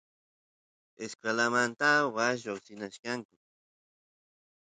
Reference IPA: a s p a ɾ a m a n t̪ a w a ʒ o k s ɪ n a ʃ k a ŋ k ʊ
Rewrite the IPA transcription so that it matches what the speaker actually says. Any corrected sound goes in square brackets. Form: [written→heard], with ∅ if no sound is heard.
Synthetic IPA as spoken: [a→e] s [p→k] a [ɾ→l] a m a n t̪ a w a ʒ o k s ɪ n a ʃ k a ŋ k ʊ